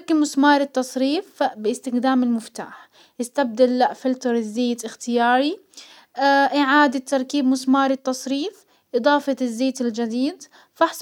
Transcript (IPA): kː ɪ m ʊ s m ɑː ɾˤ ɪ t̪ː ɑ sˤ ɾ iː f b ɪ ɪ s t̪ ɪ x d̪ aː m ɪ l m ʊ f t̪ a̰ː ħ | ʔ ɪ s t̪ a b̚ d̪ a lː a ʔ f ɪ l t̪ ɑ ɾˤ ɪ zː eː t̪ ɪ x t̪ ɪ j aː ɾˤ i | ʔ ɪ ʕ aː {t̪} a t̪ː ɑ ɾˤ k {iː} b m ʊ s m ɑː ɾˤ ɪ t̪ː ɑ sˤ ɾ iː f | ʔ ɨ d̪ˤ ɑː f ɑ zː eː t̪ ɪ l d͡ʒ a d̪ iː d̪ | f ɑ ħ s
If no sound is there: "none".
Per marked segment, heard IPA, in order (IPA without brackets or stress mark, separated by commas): d̪, iː